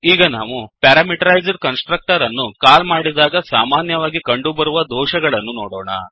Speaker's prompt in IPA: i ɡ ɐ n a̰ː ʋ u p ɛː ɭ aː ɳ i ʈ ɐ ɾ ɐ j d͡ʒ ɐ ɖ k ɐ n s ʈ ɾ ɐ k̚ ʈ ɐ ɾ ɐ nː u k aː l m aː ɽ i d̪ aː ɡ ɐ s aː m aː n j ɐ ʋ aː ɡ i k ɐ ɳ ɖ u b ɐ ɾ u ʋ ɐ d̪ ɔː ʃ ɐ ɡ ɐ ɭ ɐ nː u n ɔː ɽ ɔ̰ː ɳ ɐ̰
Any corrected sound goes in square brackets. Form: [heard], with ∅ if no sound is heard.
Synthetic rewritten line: [iː] ɡ ɐ n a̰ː ʋ u p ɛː [ɾ] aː [m] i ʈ ɐ ɾ ɐ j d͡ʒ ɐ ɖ k ɐ n s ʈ ɾ ɐ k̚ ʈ ɐ ɾ ɐ nː u k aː l m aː ɽ i d̪ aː ɡ ɐ s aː m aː n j ɐ ʋ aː ɡ i k ɐ ɳ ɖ u b ɐ ɾ u ʋ ɐ d̪ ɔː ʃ ɐ ɡ ɐ ɭ ɐ nː u n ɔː ɽ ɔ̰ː ɳ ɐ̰